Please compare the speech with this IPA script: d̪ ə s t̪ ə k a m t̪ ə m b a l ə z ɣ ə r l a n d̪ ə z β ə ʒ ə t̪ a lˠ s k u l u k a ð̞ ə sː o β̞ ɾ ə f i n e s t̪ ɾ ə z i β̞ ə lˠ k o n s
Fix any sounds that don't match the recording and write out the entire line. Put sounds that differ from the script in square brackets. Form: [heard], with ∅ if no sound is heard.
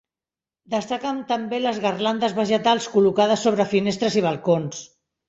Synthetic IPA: d̪ ə s t̪ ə k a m t̪ ə m b [e] l ə z ɣ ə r l a n d̪ ə z β ə ʒ ə t̪ a lˠ s k u l u k a ð̞ ə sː o β̞ ɾ ə f i n e s t̪ ɾ ə z i β̞ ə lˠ k o n s